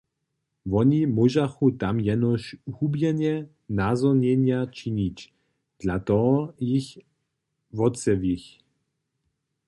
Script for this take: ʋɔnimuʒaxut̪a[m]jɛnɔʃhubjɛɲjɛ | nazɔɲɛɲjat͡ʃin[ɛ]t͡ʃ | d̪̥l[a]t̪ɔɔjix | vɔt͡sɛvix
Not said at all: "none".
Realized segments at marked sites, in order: m, i, a

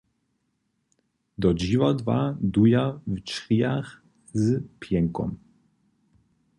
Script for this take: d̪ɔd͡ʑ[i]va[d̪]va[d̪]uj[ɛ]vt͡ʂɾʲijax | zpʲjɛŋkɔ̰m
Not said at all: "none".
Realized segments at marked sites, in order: i, d̪, d̪, a

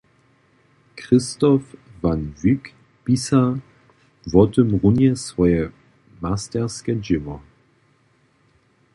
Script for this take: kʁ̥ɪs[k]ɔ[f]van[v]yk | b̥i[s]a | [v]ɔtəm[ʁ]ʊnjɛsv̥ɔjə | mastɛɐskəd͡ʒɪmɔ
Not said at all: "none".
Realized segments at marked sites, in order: t, f, v, s, v, ʁ

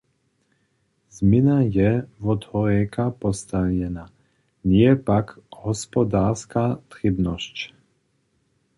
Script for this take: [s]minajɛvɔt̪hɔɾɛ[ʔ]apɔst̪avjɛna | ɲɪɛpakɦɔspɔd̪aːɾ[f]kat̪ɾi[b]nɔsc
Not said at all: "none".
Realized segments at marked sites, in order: z, k, s, b

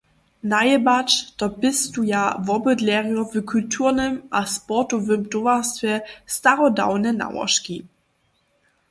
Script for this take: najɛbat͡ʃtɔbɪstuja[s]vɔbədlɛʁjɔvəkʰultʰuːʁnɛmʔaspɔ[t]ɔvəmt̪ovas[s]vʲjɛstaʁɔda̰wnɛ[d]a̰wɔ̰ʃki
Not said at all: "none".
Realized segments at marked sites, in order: none, t, t, n

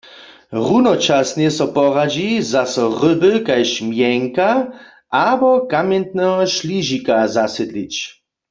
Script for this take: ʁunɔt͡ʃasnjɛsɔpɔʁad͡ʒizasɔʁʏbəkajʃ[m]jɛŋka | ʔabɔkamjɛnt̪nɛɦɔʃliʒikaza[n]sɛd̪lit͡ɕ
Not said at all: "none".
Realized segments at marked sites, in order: m, none

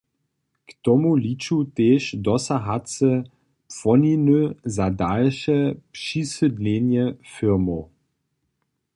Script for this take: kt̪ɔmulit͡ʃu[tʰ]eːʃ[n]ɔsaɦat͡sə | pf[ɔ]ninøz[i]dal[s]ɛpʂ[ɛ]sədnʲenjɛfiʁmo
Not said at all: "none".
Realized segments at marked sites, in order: t, d, ɔ, a, ʃ, i

